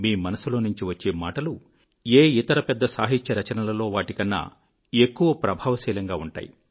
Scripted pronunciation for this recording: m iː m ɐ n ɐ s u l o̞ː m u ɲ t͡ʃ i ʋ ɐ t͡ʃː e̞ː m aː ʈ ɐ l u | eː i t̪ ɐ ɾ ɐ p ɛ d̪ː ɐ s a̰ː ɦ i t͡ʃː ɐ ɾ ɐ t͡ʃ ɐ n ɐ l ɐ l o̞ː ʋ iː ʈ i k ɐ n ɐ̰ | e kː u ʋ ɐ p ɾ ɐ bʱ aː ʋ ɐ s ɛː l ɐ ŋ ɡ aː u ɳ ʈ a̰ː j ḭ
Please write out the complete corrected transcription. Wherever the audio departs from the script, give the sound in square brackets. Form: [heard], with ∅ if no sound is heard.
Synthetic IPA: m iː m ɐ n ɐ s u l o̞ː [n] u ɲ t͡ʃ i ʋ ɐ t͡ʃː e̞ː m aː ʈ ɐ l u | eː i t̪ ɐ ɾ ɐ p ɛ d̪ː ɐ s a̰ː ɦ i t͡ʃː ɐ ɾ ɐ t͡ʃ ɐ n ɐ l ɐ l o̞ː ʋ [aː] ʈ i k ɐ [nː] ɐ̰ | e kː u ʋ ɐ p ɾ ɐ bʱ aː ʋ ɐ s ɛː l ɐ ŋ ɡ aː u ɳ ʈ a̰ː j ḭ

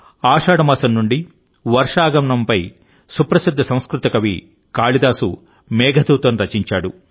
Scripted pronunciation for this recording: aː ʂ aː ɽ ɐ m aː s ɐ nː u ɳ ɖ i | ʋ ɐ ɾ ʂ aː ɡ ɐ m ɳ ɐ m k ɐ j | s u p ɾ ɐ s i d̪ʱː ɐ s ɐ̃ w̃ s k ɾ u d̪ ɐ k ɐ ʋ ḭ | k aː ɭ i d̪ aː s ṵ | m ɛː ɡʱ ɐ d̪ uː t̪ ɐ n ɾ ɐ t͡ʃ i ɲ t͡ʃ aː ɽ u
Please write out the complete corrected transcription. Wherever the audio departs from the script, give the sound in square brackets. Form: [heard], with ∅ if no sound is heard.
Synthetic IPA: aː ʂ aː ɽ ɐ m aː s ɐ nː u ɳ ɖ i | ʋ ɐ ɾ ʂ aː ɡ ɐ m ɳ ɐ m [p] ɐ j | s u p ɾ ɐ s i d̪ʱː ɐ s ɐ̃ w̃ s k ɾ u [t̪] ɐ k ɐ ʋ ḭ | k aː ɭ i d̪ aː s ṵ | m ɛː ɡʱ ɐ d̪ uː t̪ ɐ n ɾ ɐ t͡ʃ i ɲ t͡ʃ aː ɽ u

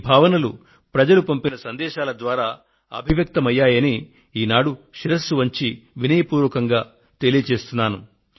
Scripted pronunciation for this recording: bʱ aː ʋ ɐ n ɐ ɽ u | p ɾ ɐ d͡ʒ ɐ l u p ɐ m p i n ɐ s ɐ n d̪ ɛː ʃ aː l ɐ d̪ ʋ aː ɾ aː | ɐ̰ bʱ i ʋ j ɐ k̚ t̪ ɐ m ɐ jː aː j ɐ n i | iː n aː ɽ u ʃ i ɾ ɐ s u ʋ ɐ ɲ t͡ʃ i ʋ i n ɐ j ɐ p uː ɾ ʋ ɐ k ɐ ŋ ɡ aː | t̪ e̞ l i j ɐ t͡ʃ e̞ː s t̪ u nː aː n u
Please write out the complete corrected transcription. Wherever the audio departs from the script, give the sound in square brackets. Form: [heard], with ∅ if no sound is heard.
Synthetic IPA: bʱ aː ʋ ɐ n ɐ [l] u | p ɾ ɐ d͡ʒ ɐ l u p ɐ m p i n ɐ s ɐ n d̪ ɛː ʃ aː l ɐ d̪ ʋ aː ɾ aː | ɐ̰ bʱ i ʋ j ɐ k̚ t̪ ɐ m ɐ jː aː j ɐ n i | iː n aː ɽ u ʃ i ɾ ɐ s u ʋ ɐ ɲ t͡ʃ i ʋ i n ɐ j ɐ p uː ɾ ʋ ɐ k ɐ ŋ ɡ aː | t̪ e̞ l i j ɐ t͡ʃ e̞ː s t̪ u nː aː n u

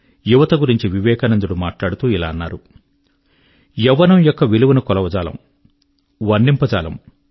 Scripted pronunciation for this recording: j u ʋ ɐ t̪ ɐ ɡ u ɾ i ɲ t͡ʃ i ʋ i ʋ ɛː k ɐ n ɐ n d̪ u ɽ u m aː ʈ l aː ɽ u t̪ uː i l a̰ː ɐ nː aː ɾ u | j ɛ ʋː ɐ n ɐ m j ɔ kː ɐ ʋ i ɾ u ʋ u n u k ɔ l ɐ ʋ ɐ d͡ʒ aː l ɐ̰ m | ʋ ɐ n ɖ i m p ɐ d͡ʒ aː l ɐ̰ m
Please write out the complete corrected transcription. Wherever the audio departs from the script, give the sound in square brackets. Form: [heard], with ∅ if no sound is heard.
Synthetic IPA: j u ʋ ɐ t̪ ɐ ɡ u ɾ i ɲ t͡ʃ i ʋ i ʋ ɛː k ɐ n ɐ n d̪ u ɽ u m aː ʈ l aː ɽ u t̪ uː i l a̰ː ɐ nː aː ɾ u | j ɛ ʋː ɐ n ɐ m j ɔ kː ɐ ʋ i [l] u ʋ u n u k ɔ l ɐ ʋ ɐ d͡ʒ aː l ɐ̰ m | ʋ ɐ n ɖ i m p ɐ d͡ʒ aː l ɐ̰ m

